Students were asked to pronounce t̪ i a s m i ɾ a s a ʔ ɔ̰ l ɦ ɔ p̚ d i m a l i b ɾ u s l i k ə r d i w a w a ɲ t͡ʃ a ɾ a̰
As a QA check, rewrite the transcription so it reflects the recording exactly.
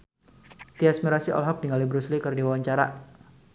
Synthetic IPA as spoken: t̪ i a s m i ɾ a s i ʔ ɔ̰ l ɦ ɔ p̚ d i ŋ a l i b ɾ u s l i k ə r d i w a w a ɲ t͡ʃ a ɾ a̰